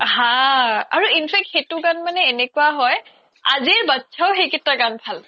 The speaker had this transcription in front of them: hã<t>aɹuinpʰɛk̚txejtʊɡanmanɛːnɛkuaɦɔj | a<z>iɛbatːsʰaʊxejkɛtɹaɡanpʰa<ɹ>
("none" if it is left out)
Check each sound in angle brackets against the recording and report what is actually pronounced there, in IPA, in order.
none, z, l

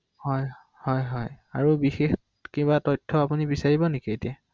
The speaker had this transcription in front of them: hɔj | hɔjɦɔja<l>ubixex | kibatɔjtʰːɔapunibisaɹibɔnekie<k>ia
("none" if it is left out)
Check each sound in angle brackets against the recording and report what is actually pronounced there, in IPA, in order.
ɹ, t

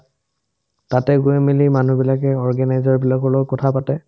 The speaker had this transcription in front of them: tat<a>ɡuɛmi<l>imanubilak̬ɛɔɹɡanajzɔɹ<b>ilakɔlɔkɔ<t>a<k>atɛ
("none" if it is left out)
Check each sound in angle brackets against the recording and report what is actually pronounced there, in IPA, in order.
ɛ, l, b, tʰ, p

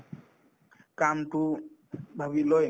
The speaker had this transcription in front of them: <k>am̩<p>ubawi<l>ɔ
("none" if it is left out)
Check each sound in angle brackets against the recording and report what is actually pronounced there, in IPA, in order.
k, t, l

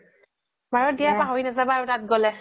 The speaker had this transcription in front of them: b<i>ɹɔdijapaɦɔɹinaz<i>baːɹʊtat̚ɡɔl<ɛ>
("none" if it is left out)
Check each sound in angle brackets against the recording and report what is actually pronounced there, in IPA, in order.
a, a, ɛ

